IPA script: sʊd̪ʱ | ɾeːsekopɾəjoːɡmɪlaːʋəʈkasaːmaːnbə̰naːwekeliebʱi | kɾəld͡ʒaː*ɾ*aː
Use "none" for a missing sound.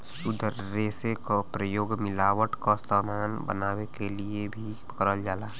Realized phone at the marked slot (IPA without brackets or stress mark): l